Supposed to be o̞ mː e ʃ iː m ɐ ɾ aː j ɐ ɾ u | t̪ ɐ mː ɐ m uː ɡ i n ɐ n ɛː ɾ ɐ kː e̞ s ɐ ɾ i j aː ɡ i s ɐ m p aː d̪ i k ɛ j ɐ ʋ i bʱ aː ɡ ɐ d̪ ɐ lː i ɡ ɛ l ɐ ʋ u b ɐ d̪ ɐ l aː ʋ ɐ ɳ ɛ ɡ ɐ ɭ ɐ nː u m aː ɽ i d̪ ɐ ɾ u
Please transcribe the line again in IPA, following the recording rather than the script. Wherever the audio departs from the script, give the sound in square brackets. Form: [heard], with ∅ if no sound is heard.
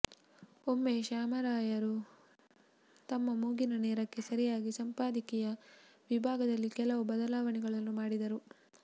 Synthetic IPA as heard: o̞ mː e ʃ [aː] m ɐ ɾ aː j ɐ ɾ u | t̪ ɐ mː ɐ m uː ɡ i n ɐ n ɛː ɾ ɐ kː e̞ s ɐ ɾ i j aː ɡ i s ɐ m p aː d̪ i k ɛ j ɐ ʋ i bʱ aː ɡ ɐ d̪ ɐ lː i [k] ɛ l ɐ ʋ u b ɐ d̪ ɐ l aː ʋ ɐ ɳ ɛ ɡ ɐ ɭ ɐ nː u m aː ɽ i d̪ ɐ ɾ u

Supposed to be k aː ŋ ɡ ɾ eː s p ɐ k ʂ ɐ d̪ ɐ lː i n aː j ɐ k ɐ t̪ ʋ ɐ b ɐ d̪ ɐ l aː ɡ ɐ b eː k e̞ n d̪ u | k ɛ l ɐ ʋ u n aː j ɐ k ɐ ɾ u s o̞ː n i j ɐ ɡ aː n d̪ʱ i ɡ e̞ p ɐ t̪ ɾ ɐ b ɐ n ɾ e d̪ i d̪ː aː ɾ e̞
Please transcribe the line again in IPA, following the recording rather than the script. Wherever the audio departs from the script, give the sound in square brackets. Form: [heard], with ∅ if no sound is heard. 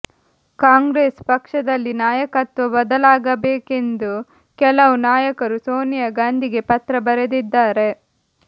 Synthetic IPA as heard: k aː ŋ ɡ ɾ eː s p ɐ k ʂ ɐ d̪ ɐ lː i n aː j ɐ k ɐ t̪ ʋ ɐ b ɐ d̪ ɐ l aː ɡ ɐ b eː k e̞ n d̪ u | k ɛ l ɐ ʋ u n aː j ɐ k ɐ ɾ u s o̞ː n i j ɐ ɡ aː n d̪ʱ i ɡ e̞ p ɐ t̪ ɾ ɐ b ɐ [∅] ɾ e d̪ i d̪ː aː ɾ e̞

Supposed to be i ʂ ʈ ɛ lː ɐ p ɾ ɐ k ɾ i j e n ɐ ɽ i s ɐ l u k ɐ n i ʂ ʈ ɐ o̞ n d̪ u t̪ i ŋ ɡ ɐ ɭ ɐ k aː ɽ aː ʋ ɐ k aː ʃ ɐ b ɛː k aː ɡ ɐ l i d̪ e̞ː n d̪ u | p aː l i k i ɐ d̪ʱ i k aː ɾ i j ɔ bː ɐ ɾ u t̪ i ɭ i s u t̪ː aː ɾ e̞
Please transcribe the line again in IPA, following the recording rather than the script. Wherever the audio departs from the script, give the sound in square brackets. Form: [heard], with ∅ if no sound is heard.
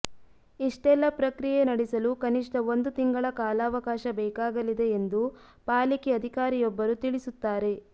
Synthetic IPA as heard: i ʂ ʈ ɛ lː ɐ p ɾ ɐ k ɾ i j e n ɐ ɽ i s ɐ l u k ɐ n i ʂ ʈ ɐ o̞ n d̪ u t̪ i ŋ ɡ ɐ ɭ ɐ k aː [l] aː ʋ ɐ k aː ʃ ɐ b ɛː k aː ɡ ɐ l i d̪ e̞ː n d̪ u | p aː l i k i ɐ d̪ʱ i k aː ɾ i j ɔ bː ɐ ɾ u t̪ i ɭ i s u t̪ː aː ɾ e̞

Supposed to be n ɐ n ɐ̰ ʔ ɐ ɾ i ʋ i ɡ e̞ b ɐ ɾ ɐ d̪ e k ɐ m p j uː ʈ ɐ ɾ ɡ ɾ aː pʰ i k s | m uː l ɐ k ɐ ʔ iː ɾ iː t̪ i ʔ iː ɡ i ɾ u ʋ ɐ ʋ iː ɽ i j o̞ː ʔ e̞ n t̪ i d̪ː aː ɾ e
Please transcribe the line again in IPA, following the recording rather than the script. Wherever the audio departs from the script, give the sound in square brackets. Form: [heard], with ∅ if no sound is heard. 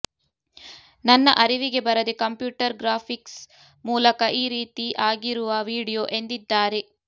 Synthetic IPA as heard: n ɐ [nː] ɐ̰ ʔ ɐ ɾ i ʋ i ɡ e̞ b ɐ ɾ ɐ d̪ e k ɐ m p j uː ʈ ɐ ɾ ɡ ɾ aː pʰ i k s | m uː l ɐ k ɐ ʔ iː ɾ iː t̪ i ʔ [aː] ɡ i ɾ u ʋ ɐ ʋ iː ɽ i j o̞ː ʔ e̞ n [d̪] i d̪ː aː ɾ e

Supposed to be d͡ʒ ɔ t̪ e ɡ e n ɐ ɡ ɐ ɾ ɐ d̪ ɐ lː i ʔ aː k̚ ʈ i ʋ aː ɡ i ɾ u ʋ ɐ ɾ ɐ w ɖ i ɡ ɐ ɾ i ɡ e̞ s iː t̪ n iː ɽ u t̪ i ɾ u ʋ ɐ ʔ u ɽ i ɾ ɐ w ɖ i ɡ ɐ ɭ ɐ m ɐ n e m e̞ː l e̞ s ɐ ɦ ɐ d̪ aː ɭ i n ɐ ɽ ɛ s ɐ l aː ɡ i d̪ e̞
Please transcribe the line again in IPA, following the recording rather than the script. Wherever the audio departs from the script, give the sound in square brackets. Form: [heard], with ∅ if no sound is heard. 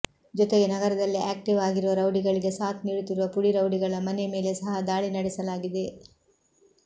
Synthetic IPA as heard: d͡ʒ ɔ t̪ e ɡ e n ɐ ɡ ɐ ɾ ɐ d̪ ɐ lː i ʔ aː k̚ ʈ i ʋ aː ɡ i ɾ u ʋ ɐ ɾ ɐ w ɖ i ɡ ɐ [ɭ] i ɡ e̞ s [aː] t̪ n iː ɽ u t̪ i ɾ u ʋ ɐ [p] u ɽ i ɾ ɐ w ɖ i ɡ ɐ ɭ ɐ m ɐ n e m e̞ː l e̞ s ɐ ɦ ɐ d̪ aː ɭ i n ɐ ɽ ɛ s ɐ l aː ɡ i d̪ e̞

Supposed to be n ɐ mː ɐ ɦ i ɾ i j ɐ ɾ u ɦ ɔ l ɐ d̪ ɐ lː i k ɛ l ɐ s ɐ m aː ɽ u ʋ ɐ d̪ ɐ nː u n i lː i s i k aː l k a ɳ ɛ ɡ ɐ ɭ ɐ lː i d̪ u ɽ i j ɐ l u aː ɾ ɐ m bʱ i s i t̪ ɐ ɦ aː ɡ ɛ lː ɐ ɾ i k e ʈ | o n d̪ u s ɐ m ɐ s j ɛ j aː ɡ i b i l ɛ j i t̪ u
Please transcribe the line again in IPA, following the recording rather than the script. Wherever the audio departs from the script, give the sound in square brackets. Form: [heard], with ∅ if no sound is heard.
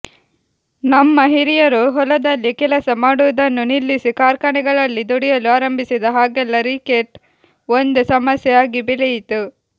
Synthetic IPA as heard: n ɐ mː ɐ ɦ i ɾ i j ɐ ɾ u ɦ ɔ l ɐ d̪ ɐ lː i k ɛ l ɐ s ɐ m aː ɽ u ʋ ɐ d̪ ɐ nː u n i lː i s i k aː [ɾ] k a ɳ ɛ ɡ ɐ ɭ ɐ lː i d̪ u ɽ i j ɐ l u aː ɾ ɐ m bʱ i s i [d̪] ɐ ɦ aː ɡ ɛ lː ɐ ɾ i k e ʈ | o n d̪ u s ɐ m ɐ s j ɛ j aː ɡ i b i l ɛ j i t̪ u

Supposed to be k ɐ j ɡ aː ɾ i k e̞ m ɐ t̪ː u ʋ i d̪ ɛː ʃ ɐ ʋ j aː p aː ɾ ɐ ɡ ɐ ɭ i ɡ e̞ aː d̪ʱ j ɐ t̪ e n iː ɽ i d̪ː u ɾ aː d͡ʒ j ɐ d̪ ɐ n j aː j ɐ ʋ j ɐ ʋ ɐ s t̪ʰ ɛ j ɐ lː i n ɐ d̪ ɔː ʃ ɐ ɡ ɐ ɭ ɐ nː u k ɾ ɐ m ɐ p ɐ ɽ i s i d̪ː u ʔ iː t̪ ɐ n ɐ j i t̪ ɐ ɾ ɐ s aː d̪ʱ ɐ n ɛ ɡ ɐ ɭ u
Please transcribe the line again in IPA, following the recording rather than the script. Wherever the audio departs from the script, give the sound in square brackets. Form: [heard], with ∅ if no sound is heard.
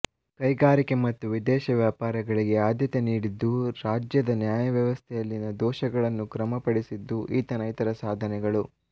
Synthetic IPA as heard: k ɐ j ɡ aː ɾ i k e̞ m ɐ t̪ː u ʋ i d̪ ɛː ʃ ɐ ʋ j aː p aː ɾ ɐ ɡ ɐ ɭ i ɡ e̞ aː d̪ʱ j ɐ t̪ e n iː ɽ i d̪ː u ɾ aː d͡ʒ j ɐ d̪ ɐ n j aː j ɐ ʋ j ɐ ʋ ɐ s t̪ʰ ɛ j ɐ lː i n ɐ d̪ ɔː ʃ ɐ ɡ ɐ ɭ ɐ nː u k ɾ ɐ m ɐ p ɐ ɽ i s i d̪ː u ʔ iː t̪ ɐ n ɐ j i t̪ ɐ ɾ ɐ s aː d̪ʱ ɐ n ɛ ɡ ɐ ɭ u

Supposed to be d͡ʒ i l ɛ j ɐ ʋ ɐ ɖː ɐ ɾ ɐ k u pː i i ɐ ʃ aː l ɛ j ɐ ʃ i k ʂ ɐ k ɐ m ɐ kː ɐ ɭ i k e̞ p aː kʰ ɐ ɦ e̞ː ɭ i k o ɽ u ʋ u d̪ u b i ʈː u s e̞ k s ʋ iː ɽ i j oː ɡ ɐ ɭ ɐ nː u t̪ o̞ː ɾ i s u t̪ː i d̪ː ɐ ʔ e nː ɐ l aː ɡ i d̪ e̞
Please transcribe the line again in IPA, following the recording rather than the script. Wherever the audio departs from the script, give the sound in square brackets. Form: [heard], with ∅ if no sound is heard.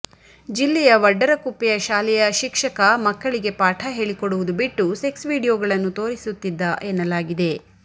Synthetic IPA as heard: d͡ʒ i [lː] ɛ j ɐ ʋ ɐ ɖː ɐ ɾ ɐ k u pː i [j] ɐ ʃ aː l ɛ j ɐ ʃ i k ʂ ɐ k ɐ m ɐ kː ɐ ɭ i [ɡ] e̞ p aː [ʈʰ] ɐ ɦ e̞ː ɭ i k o ɽ u ʋ u d̪ u b i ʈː u s e̞ k s ʋ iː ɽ i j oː ɡ ɐ ɭ ɐ nː u t̪ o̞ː ɾ i s u t̪ː i d̪ː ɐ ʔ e nː ɐ l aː ɡ i d̪ e̞

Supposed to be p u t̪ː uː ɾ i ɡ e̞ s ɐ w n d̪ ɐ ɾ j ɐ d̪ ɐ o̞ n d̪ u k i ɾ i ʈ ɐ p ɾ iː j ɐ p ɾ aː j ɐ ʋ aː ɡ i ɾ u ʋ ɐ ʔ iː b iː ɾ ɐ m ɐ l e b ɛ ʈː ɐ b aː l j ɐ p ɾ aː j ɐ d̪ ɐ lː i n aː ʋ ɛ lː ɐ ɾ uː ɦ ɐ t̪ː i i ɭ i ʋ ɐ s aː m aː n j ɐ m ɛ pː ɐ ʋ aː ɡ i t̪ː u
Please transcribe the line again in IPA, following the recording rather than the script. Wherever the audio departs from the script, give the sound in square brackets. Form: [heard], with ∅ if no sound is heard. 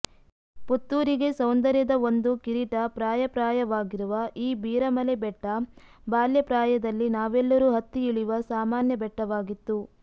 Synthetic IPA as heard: p u t̪ː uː ɾ i ɡ e̞ s ɐ w n d̪ ɐ ɾ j ɐ d̪ ɐ o̞ n d̪ u k i ɾ i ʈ ɐ p ɾ [aː] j ɐ p ɾ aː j ɐ ʋ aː ɡ i ɾ u ʋ ɐ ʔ iː b iː ɾ ɐ m ɐ l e b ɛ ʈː ɐ b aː l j ɐ p ɾ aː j ɐ d̪ ɐ lː i n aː ʋ ɛ lː ɐ ɾ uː ɦ ɐ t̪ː i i ɭ i ʋ ɐ s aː m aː n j ɐ [b] ɛ [ʈː] ɐ ʋ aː ɡ i t̪ː u

